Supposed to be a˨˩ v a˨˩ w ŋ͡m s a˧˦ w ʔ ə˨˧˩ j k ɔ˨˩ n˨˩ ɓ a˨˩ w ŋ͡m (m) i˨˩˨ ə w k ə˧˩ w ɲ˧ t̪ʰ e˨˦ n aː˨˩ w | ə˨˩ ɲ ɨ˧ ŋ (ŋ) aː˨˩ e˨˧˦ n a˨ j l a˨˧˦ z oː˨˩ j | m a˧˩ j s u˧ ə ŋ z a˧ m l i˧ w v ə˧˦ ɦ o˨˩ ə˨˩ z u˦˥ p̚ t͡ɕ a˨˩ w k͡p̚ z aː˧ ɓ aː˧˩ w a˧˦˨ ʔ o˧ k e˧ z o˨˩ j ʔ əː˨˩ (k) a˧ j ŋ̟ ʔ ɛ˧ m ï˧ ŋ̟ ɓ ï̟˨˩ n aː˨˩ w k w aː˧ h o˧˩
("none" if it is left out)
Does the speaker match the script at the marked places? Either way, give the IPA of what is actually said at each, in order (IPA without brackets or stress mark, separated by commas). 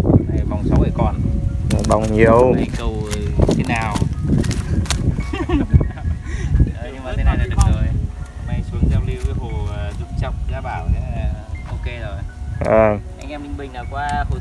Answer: ɲ, m, ʔ